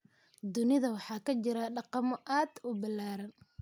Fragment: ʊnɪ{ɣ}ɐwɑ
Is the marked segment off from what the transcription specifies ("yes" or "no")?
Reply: yes